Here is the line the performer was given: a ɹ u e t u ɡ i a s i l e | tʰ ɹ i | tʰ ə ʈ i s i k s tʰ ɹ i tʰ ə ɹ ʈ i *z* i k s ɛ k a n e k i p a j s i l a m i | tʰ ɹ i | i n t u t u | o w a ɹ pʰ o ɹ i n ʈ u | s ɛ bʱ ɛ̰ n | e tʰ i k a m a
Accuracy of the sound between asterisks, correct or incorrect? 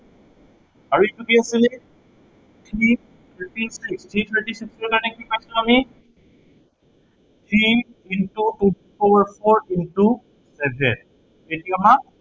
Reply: incorrect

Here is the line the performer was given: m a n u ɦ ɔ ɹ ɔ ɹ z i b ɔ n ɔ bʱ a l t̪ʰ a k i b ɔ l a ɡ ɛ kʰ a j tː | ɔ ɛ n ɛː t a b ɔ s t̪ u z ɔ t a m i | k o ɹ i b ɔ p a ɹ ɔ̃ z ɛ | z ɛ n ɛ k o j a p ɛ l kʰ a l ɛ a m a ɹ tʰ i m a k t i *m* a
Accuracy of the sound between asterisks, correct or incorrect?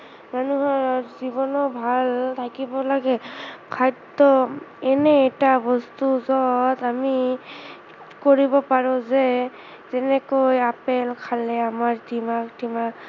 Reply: correct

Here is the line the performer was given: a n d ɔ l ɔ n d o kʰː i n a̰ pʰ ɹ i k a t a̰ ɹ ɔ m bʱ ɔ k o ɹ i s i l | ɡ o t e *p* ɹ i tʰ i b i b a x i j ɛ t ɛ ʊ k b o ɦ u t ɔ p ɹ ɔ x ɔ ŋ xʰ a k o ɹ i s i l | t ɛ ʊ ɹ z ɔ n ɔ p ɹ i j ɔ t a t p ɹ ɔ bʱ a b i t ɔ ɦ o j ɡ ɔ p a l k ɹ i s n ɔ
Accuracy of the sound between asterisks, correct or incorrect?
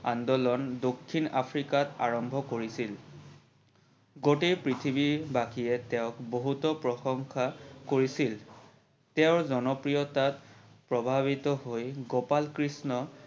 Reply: correct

